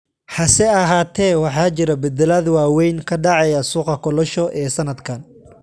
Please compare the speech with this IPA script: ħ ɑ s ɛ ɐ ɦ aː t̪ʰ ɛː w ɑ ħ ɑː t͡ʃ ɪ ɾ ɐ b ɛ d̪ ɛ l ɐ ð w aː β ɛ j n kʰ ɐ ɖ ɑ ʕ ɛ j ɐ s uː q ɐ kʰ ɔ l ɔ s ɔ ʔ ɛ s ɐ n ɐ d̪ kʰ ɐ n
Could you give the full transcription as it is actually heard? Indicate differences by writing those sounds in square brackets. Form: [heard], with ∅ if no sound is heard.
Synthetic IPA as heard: ħ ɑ s ɛ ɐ ɦ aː t̪ʰ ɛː w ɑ ħ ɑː t͡ʃ ɪ ɾ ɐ b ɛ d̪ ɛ l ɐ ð w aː [w] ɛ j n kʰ ɐ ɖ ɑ ʕ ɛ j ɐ s uː q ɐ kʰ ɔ l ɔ [ʃ] ɔ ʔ [ɛː] s ɐ n ɐ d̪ kʰ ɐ n

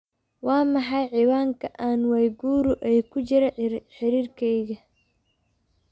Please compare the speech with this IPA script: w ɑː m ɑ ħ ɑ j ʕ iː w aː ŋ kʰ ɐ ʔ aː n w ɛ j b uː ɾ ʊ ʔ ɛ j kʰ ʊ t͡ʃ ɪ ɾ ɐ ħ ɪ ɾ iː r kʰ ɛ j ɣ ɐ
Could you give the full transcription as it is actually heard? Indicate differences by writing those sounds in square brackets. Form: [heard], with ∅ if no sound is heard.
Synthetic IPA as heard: w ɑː m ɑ ħ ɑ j ʕ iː w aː ŋ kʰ ɐ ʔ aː n w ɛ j [ɡ] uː ɾ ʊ ʔ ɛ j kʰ ʊ t͡ʃ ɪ ɾ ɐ ħ ɪ ɾ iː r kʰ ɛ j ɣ ɐ

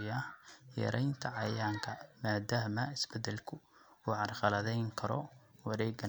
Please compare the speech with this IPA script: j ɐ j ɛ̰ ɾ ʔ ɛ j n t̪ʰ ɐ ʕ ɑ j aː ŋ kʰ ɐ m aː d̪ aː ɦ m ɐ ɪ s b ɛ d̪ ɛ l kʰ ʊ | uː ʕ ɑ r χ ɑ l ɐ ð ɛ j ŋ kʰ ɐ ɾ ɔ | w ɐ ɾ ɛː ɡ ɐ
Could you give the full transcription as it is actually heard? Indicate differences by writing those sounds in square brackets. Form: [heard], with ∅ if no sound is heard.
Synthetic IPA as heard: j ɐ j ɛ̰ ɾ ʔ ɛ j n t̪ʰ ɐ ʕ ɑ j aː ŋ kʰ ɐ m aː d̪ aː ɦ m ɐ ɪ s b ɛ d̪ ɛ l kʰ ʊ | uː ʕ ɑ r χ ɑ l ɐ ð ɛ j ŋ kʰ ɐ ɾ ɔ | w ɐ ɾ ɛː ɡ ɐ

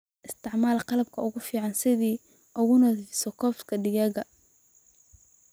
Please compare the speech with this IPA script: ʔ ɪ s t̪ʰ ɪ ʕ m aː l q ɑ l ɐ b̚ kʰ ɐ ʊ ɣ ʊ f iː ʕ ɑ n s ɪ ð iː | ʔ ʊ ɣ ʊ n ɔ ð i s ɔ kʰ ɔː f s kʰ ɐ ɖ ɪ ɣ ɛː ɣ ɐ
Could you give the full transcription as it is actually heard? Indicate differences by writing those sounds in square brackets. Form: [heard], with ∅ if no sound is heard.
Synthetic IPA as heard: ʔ ɪ s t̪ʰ ɪ ʕ m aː l q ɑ l ɐ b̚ kʰ ɐ ʊ ɣ ʊ f iː ʕ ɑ n s ɪ ð iː | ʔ ʊ ɣ ʊ n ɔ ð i s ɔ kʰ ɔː f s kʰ ɐ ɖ ɪ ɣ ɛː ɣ ɐ

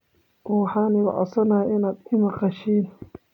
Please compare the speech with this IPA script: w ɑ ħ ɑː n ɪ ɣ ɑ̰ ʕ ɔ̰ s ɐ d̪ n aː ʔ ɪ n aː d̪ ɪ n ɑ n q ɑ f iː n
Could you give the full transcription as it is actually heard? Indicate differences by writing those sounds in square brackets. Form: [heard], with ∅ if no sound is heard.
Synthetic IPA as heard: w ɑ ħ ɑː n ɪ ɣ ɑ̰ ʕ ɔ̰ s ɐ [∅] n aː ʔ ɪ n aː d̪ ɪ [m] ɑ [∅] q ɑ [ʃ] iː n

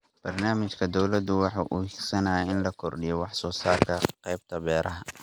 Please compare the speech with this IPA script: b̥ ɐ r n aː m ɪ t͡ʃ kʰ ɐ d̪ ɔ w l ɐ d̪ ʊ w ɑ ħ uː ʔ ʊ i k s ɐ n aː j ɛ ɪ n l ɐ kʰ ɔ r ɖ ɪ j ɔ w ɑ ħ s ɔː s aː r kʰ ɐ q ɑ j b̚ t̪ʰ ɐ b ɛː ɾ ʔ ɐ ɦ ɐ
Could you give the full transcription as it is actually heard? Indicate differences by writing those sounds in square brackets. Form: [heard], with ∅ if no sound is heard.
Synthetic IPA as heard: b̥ ɐ r n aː m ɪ t͡ʃ kʰ ɐ d̪ ɔ w l ɐ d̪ ʊ w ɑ ħ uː ʔ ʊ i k s ɐ n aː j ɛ ɪ n l ɐ kʰ ɔ r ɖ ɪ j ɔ w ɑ ħ s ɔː s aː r kʰ ɐ q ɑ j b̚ t̪ʰ ɐ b ɛː ɾ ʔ ɐ ɦ ɐ

